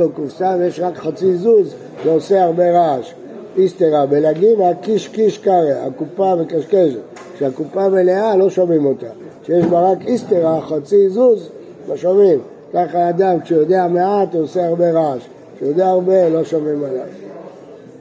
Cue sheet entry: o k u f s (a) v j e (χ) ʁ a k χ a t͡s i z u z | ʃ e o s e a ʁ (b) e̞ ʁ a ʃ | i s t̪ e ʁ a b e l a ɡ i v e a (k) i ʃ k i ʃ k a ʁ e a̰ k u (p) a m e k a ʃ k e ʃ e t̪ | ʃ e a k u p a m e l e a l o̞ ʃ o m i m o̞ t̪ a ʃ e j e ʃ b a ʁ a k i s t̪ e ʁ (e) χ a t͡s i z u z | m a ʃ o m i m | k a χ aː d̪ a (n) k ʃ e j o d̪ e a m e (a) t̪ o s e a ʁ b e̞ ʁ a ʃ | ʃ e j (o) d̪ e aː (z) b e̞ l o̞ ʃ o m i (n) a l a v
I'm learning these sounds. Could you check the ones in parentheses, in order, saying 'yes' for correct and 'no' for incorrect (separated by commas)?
yes, no, yes, yes, yes, no, no, yes, yes, no, no